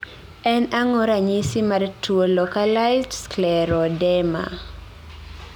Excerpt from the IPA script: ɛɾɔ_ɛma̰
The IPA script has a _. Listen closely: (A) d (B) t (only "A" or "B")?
A